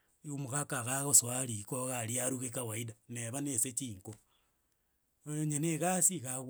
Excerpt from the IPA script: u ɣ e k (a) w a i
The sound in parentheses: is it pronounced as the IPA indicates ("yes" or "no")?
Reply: yes